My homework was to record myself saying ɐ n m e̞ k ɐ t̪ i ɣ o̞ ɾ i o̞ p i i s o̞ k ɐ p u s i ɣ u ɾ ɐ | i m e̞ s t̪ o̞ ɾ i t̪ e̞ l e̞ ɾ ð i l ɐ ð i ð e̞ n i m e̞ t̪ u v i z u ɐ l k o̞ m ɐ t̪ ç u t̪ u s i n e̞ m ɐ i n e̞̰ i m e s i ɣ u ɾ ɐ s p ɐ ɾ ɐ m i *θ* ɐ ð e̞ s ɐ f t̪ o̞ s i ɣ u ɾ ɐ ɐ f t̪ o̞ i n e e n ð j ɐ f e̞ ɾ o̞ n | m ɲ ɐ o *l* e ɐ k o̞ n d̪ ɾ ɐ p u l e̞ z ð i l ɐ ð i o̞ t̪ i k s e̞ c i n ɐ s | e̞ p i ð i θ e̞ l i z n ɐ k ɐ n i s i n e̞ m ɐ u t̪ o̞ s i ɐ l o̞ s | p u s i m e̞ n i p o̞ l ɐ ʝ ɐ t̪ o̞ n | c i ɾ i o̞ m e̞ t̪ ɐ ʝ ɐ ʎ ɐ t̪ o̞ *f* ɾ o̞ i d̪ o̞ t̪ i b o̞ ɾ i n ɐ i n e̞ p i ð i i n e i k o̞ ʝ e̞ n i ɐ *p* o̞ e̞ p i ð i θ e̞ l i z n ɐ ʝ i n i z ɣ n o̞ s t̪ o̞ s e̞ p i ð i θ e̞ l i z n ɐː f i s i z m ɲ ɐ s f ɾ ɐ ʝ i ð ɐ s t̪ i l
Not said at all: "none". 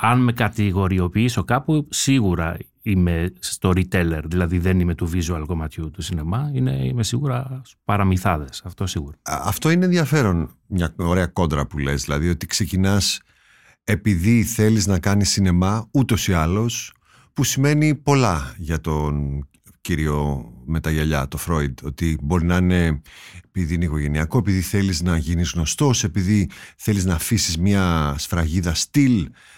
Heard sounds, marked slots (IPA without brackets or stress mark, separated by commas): θ, ɾ, f, k